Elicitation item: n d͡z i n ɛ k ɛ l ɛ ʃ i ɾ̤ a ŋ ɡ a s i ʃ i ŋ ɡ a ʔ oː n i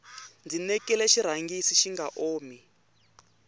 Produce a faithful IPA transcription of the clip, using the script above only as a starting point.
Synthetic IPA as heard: n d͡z i n ɛ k ɛ l ɛ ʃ i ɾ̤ a ŋ ɡ i s i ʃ i ŋ ɡ a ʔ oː m i